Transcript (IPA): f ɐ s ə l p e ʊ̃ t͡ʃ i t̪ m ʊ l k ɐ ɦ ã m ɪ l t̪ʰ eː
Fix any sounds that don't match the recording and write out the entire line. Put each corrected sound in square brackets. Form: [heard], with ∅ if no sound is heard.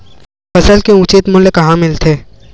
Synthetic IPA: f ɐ s ə l [k] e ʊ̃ t͡ʃ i t̪ m ʊ l k ɐ ɦ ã m ɪ l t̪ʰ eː